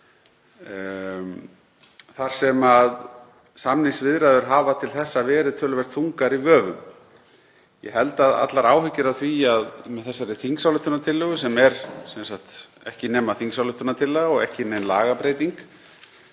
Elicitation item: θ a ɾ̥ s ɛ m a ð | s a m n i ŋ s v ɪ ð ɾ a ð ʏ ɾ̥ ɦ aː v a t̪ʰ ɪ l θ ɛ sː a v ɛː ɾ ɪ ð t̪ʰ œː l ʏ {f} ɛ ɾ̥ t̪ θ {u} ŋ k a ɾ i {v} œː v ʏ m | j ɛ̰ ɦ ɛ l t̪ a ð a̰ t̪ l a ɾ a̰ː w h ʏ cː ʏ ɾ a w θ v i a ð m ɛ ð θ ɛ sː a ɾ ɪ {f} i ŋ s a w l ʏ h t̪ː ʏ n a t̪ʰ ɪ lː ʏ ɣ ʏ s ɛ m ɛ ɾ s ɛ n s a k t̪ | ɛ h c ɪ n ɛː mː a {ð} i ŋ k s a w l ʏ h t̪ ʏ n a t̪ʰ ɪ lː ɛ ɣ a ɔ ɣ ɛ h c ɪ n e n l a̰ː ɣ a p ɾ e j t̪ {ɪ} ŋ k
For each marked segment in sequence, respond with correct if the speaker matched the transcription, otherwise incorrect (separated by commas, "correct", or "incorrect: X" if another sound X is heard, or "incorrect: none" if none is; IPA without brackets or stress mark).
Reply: incorrect: v, correct, correct, incorrect: θ, incorrect: θ, incorrect: i